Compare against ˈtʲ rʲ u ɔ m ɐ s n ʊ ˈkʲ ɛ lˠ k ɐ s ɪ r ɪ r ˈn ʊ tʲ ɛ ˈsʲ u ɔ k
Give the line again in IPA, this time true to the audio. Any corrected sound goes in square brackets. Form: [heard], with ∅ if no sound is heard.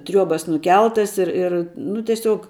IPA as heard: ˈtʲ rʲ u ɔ [b] ɐ s n ʊ ˈkʲ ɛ lˠ [t] ɐ s ɪ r ɪ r ˈn ʊ tʲ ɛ ˈsʲ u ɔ k

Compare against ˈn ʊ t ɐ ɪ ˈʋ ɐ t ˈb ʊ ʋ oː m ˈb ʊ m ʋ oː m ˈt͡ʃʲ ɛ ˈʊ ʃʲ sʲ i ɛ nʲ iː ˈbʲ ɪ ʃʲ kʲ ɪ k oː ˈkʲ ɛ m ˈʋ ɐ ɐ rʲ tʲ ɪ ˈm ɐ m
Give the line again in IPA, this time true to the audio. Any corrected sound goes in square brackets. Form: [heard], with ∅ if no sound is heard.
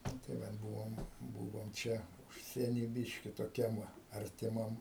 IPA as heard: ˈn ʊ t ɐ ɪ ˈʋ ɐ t ˈb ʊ ʋ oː m ˈb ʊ [∅] ʋ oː m ˈt͡ʃʲ ɛ ˈʊ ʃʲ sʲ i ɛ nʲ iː ˈbʲ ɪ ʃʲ kʲ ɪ [t] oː ˈkʲ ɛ m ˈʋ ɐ ɐ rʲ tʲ ɪ ˈm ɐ m

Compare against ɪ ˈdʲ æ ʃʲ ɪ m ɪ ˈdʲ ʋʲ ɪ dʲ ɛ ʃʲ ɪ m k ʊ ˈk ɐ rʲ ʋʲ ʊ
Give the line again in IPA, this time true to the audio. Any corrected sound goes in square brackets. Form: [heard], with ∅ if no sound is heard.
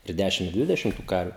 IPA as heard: ɪ ˈdʲ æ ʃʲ ɪ m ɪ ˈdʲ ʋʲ ɪ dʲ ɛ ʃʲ ɪ m [t] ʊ ˈk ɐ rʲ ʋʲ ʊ

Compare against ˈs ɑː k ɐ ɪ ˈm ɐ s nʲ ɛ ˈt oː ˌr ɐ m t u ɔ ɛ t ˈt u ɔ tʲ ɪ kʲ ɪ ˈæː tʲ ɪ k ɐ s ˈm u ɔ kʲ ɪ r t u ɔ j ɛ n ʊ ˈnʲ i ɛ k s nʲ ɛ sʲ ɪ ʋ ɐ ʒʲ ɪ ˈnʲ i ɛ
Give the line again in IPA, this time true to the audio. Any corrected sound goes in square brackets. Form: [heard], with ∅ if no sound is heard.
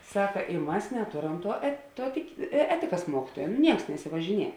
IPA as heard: ˈs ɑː k ɐ ɪ ˈm ɐ s nʲ ɛ ˈt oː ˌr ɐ m t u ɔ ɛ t ˈt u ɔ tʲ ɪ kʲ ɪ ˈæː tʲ ɪ k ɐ s ˈm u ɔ kʲ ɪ [∅] t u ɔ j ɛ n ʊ ˈnʲ i ɛ k s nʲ ɛ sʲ ɪ ʋ ɐ ʒʲ ɪ ˈnʲ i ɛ

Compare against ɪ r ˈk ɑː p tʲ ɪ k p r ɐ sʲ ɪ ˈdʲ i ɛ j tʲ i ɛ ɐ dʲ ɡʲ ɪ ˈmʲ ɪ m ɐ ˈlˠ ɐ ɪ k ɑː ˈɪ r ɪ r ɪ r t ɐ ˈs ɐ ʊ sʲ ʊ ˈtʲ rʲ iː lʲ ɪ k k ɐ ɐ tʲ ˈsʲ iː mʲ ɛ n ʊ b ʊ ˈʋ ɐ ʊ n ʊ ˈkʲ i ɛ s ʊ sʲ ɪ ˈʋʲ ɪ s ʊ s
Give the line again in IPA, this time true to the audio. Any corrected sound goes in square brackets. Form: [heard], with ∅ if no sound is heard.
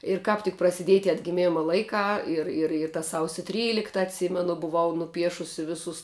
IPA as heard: ɪ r ˈk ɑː p tʲ ɪ k p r ɐ sʲ ɪ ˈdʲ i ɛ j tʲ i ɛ ɐ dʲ ɡʲ ɪ ˈmʲ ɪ m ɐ ˈlˠ ɐ ɪ k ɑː ˈɪ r ɪ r ɪ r t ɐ ˈs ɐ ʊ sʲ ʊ ˈtʲ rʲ iː lʲ ɪ k [t] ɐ ɐ tʲ ˈsʲ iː mʲ ɛ n ʊ b ʊ ˈʋ ɐ ʊ n ʊ [ˈpʲ] i ɛ [ʃ] ʊ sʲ ɪ ˈʋʲ ɪ s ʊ s

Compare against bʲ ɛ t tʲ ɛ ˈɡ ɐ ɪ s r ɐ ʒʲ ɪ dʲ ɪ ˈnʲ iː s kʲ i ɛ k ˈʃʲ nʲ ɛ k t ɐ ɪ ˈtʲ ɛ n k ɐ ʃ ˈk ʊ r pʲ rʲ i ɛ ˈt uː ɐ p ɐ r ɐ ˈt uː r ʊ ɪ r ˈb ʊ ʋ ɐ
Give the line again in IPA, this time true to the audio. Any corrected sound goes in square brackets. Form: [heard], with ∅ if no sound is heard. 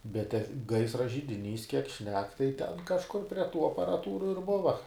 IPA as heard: bʲ ɛ t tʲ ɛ ˈɡ ɐ ɪ s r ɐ ʒʲ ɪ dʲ ɪ ˈnʲ iː s kʲ i ɛ k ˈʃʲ nʲ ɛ k t ɐ ɪ ˈtʲ ɛ n k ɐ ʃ ˈk ʊ r pʲ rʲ i ɛ ˈt uː ɐ p ɐ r ɐ ˈt uː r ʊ ɪ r ˈb ʊ ʋ ɐ

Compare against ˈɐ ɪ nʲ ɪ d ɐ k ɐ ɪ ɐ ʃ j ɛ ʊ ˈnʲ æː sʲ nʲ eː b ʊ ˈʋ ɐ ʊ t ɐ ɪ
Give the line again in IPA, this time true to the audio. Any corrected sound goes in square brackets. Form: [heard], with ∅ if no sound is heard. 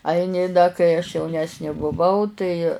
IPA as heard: ˈɐ ɪ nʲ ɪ d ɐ k ɐ ɪ ɐ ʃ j ɛ ʊ ˈnʲ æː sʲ nʲ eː b ʊ ˈʋ ɐ ʊ t ɐ ɪ

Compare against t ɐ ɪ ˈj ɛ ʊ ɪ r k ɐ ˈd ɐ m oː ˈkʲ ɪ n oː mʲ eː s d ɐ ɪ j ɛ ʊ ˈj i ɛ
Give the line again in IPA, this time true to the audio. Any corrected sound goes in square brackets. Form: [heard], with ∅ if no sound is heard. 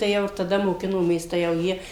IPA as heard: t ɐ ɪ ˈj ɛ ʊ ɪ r [t] ɐ ˈd ɐ m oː ˈkʲ ɪ n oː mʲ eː s [t] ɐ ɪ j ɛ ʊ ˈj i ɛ

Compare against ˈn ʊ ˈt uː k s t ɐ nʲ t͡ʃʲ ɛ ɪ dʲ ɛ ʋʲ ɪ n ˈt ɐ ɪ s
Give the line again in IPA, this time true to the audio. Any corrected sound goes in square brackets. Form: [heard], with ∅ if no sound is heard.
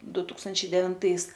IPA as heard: [ˈd] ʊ ˈt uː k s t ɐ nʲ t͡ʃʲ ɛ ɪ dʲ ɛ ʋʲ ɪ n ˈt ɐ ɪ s

